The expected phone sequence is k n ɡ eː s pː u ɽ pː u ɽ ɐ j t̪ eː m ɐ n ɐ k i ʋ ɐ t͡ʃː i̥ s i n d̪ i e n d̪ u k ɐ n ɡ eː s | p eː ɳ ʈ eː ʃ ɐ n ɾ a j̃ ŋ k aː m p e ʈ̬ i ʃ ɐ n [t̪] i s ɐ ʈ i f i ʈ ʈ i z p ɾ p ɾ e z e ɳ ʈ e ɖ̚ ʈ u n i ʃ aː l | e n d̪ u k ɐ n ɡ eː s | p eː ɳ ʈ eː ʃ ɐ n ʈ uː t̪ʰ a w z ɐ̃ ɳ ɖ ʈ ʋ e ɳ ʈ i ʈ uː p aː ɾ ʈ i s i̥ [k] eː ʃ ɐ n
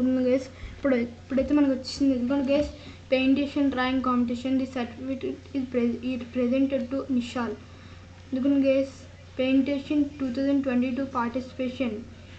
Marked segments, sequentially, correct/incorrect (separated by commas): incorrect, incorrect